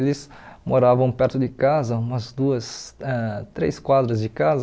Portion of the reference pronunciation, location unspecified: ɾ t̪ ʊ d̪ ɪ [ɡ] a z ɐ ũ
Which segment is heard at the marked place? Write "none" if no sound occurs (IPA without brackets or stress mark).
k